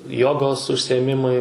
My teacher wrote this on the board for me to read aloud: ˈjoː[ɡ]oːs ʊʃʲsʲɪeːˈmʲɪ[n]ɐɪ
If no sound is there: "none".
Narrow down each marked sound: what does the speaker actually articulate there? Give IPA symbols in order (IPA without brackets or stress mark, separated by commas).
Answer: ɡ, m